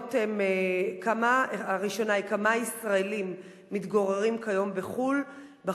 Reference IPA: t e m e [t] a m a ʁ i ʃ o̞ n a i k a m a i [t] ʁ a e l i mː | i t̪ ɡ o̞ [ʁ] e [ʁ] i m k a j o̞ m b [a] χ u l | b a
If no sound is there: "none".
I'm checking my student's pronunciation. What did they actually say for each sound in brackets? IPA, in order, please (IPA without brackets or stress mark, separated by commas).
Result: k, s, ʁ, ʁ, e